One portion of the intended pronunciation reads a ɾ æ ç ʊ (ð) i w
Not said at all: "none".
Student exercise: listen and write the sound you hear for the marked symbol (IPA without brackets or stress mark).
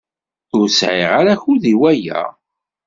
ð